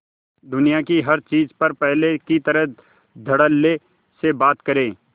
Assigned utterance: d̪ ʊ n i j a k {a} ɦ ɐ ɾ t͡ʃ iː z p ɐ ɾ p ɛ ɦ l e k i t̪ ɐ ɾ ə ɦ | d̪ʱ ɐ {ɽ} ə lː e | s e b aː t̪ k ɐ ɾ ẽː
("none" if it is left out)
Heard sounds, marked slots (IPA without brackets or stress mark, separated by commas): i, ɽ